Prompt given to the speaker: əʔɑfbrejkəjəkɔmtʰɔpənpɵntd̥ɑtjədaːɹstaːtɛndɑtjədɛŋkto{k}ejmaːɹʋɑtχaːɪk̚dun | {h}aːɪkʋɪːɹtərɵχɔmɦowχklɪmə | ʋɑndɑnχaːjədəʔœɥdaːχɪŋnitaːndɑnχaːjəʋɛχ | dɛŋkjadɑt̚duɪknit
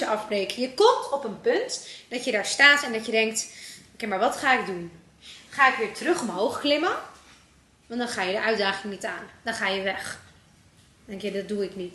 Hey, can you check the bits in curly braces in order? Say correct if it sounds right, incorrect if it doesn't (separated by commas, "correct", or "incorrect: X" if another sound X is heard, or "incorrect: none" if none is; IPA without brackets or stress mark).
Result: correct, incorrect: χ